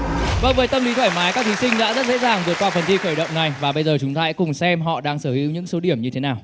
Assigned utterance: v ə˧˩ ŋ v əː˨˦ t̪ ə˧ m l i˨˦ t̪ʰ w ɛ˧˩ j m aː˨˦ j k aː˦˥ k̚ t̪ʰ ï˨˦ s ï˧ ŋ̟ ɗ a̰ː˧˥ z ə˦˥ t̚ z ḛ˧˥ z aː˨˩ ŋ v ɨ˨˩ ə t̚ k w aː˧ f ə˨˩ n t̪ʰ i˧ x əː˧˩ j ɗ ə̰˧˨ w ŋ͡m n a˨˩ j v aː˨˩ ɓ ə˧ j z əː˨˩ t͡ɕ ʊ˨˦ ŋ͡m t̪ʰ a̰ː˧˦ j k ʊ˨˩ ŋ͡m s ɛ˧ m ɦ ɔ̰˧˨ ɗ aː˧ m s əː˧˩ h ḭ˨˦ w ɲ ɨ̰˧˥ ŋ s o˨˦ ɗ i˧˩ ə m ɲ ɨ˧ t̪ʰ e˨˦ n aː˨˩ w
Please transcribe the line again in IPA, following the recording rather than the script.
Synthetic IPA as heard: v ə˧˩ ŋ v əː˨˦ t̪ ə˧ m l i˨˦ t̪ʰ w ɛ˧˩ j m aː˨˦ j k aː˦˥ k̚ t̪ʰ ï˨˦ s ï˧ ŋ̟ ɗ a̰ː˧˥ z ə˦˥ t̚ z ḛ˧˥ z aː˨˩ ŋ v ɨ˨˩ ə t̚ k w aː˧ f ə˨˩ n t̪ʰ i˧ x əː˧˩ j ɗ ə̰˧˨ w ŋ͡m n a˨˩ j v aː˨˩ ɓ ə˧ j z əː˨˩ t͡ɕ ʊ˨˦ ŋ͡m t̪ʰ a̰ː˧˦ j k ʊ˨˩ ŋ͡m s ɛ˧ m ɦ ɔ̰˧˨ ɗ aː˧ ŋ s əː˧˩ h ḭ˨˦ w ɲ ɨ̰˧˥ ŋ s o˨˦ ɗ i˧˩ ə m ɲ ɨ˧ t̪ʰ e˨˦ n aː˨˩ w